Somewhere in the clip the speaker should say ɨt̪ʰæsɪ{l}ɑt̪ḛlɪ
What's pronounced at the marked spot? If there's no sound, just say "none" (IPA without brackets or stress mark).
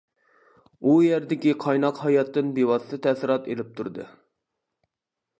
ɾ